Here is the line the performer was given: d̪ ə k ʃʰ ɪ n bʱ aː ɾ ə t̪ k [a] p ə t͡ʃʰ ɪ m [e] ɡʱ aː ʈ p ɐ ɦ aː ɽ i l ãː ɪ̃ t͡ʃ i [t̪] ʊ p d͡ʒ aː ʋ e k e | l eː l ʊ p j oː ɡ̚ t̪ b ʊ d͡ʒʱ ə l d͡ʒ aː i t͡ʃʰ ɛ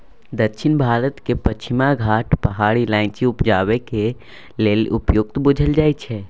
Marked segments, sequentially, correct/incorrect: incorrect: e, incorrect: a, incorrect: none

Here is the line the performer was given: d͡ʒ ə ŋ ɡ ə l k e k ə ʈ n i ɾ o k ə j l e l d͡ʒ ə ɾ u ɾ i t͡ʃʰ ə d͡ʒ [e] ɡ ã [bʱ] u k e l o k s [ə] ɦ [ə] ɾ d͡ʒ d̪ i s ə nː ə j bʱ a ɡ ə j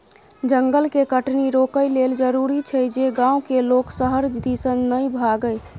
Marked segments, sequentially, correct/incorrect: correct, incorrect: none, correct, correct

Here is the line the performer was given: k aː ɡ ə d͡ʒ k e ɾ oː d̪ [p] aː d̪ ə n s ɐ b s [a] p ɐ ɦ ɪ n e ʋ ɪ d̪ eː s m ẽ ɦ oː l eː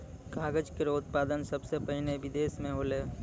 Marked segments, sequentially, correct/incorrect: correct, incorrect: e

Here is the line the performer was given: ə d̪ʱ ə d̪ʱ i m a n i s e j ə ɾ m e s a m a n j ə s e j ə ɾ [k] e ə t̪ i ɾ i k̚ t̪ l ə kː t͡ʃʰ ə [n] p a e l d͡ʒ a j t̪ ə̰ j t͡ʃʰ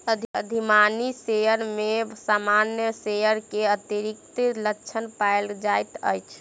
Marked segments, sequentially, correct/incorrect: correct, correct

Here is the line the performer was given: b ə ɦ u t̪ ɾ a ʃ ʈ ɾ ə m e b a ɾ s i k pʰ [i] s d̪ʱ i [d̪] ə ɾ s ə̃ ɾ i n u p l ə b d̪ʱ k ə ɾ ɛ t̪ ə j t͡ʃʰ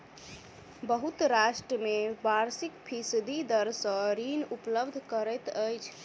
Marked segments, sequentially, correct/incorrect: correct, correct

